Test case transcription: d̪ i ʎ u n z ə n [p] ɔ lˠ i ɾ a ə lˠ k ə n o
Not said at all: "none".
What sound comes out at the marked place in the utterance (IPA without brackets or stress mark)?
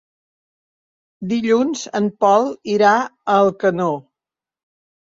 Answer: p